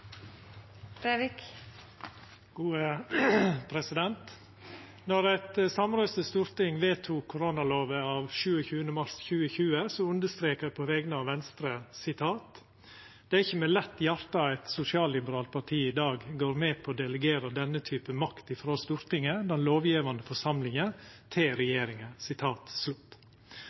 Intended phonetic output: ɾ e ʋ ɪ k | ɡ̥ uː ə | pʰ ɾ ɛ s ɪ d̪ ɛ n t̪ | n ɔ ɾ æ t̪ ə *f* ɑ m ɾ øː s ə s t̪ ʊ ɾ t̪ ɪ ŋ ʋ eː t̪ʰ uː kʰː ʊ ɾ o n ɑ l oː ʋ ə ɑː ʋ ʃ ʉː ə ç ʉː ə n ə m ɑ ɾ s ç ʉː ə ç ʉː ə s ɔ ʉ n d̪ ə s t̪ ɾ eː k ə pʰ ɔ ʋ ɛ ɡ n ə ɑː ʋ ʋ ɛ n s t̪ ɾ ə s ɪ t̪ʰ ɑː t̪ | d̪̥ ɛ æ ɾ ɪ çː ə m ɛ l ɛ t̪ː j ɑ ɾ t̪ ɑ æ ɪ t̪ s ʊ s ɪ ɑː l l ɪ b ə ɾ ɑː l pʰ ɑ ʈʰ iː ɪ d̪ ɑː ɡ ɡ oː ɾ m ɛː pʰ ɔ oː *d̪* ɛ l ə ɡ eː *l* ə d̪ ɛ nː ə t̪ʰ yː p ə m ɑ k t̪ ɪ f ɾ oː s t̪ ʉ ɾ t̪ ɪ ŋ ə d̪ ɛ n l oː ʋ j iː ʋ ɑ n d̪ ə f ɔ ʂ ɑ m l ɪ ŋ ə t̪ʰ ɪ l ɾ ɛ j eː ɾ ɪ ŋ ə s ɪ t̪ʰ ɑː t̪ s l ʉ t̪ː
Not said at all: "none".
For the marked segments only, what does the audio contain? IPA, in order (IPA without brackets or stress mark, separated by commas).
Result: s, d̪, ɾ